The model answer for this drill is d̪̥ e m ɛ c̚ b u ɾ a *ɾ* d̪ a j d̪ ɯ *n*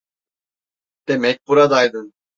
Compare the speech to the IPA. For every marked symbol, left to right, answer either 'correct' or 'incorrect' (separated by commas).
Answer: incorrect, correct